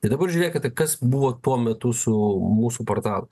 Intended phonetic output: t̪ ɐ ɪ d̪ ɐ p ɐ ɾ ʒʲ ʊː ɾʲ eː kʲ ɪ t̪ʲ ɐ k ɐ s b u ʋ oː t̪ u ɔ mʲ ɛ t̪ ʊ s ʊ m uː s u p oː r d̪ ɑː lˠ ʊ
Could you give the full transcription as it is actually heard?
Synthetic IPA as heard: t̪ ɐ ɪ d̪ ɐ b ɐ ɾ ʒʲ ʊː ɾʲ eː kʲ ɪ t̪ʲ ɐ k ɐ s b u ʋ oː t̪ u ɔ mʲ ɛ t̪ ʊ s ʊ m uː s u p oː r t̪ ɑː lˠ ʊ